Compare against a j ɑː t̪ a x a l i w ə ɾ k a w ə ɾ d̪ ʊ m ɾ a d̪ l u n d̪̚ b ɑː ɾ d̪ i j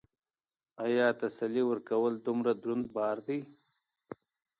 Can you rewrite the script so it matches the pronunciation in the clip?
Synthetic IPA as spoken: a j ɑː t̪ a s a l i w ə ɾ k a w ə l d̪ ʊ m ɾ a d̪ ɾ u n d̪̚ b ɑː ɾ d̪ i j